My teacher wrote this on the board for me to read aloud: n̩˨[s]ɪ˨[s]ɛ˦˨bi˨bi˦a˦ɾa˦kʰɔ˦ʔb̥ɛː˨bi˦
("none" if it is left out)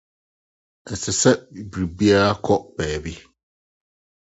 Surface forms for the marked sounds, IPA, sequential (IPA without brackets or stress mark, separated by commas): s, s